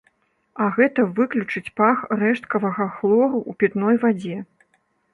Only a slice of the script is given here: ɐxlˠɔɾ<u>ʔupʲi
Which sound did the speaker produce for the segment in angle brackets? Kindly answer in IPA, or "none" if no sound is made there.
u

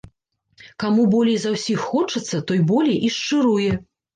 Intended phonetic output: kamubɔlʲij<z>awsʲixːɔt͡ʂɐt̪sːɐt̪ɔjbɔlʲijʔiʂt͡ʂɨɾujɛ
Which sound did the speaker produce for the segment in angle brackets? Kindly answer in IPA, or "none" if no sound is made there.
z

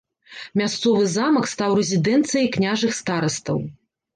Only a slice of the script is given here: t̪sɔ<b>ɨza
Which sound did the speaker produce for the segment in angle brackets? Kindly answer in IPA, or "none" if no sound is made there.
v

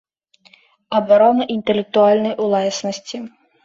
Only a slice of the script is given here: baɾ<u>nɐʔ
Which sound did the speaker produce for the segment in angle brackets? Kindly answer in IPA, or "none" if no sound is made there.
ɔ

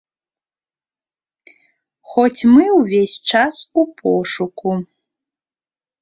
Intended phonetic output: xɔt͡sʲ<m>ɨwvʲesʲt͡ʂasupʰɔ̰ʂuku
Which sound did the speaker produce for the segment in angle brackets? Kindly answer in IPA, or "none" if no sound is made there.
m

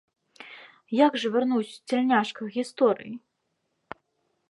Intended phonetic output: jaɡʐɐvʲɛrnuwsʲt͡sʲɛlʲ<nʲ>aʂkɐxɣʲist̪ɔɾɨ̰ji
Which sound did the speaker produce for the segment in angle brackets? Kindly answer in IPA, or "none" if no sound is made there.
nʲ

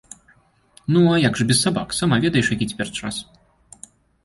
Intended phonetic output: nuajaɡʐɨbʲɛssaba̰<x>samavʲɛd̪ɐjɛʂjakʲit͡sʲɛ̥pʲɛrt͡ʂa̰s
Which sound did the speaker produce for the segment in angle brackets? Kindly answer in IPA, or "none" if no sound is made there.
k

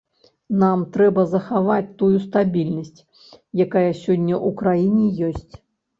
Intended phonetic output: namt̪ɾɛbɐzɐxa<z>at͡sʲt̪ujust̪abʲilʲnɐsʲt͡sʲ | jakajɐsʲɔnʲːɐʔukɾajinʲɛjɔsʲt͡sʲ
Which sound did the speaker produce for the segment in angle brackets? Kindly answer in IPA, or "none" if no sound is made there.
v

